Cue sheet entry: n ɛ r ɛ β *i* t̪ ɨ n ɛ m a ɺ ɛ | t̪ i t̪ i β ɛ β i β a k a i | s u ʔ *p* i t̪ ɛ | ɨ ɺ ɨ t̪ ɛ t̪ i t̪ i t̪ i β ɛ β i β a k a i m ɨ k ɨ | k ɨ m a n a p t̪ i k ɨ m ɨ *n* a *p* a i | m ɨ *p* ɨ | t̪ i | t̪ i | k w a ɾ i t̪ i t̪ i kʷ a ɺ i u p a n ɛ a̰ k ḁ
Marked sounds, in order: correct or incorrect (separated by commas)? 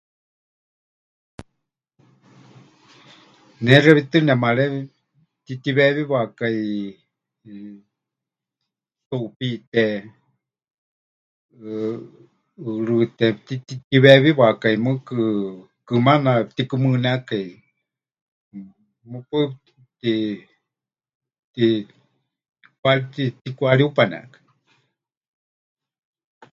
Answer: correct, correct, correct, incorrect, correct